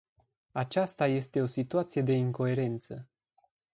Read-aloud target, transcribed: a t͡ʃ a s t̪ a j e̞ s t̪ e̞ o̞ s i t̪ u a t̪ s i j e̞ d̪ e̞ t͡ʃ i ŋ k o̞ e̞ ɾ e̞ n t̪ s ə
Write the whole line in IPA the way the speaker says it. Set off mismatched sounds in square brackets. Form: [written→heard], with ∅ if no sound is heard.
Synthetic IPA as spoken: a t͡ʃ a s t̪ a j e̞ s t̪ e̞ o̞ s i t̪ u a t̪ s i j e̞ d̪ e̞ [t͡ʃ→∅] i ŋ k o̞ e̞ ɾ e̞ n t̪ s ə